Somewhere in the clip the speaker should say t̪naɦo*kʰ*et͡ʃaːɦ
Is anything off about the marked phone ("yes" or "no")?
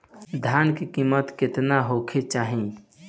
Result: no